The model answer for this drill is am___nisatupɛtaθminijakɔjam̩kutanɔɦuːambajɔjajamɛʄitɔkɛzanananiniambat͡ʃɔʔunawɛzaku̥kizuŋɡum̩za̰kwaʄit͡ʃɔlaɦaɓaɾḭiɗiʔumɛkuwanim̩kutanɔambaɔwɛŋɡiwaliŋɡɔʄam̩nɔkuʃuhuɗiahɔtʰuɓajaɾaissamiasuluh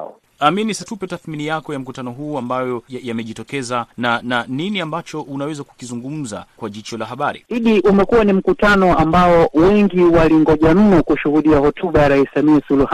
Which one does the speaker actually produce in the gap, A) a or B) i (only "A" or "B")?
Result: B